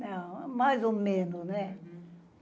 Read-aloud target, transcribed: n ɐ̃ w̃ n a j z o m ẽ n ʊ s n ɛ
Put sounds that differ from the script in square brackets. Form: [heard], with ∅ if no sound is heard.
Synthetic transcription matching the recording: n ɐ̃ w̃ [m] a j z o m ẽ n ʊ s n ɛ